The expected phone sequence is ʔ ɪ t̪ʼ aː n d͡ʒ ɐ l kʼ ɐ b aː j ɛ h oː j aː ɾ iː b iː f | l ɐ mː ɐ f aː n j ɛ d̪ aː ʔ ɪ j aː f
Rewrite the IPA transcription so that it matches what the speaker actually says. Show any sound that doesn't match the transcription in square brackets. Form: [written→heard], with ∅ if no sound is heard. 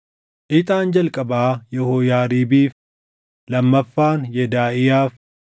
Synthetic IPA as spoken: ʔ ɪ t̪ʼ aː n d͡ʒ ɐ l kʼ ɐ b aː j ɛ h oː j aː ɾ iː b iː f | l ɐ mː ɐ [f→fː] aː n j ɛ d̪ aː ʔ ɪ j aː f